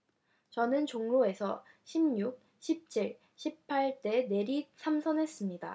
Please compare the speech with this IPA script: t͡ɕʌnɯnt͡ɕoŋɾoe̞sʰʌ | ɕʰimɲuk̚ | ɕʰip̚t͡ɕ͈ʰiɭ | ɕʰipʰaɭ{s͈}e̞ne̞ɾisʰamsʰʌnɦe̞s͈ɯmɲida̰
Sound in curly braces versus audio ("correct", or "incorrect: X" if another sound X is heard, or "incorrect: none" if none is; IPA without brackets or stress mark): incorrect: t͈